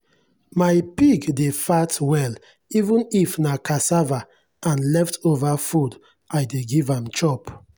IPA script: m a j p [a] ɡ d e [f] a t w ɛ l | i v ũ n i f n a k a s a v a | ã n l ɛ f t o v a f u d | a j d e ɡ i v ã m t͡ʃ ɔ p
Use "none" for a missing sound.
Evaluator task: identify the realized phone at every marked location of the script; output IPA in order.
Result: i, f

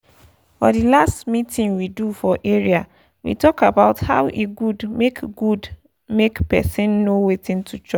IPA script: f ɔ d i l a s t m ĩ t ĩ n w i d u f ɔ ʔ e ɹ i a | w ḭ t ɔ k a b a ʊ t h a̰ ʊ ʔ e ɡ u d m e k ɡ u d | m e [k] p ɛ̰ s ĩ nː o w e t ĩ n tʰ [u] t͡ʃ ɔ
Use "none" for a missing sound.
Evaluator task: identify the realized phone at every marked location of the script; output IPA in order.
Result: k, u

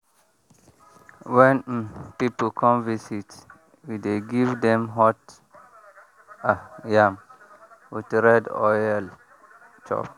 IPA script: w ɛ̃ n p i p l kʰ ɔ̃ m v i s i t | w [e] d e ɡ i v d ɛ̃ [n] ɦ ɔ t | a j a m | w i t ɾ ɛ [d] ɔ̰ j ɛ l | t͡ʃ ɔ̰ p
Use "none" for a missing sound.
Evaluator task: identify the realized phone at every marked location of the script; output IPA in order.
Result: i, m, d

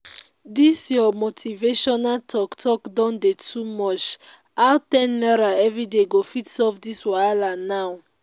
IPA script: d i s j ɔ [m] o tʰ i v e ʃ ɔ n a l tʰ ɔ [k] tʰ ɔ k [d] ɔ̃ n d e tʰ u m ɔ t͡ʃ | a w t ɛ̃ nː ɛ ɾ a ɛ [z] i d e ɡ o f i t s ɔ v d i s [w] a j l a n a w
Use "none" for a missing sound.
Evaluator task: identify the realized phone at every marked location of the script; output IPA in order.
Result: m, k, d, v, w

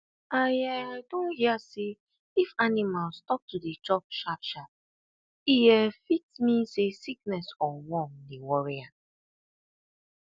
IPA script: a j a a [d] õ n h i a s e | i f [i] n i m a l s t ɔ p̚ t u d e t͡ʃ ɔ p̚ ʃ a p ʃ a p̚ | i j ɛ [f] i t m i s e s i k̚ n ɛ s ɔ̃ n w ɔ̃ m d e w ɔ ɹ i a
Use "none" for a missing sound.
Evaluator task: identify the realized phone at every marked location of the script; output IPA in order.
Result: d, a, f

